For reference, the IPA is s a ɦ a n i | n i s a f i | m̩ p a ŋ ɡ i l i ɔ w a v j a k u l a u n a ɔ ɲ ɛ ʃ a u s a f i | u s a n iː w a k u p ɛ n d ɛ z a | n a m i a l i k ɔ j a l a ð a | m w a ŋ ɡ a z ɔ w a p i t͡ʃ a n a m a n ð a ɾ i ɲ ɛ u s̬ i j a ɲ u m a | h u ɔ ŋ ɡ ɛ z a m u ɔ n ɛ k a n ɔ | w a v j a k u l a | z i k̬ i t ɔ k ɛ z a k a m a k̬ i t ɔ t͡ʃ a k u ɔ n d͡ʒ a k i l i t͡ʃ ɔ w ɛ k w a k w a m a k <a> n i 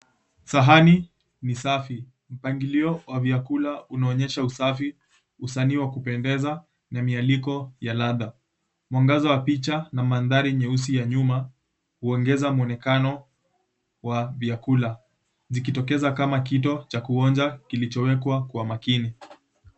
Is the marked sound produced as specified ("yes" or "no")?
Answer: no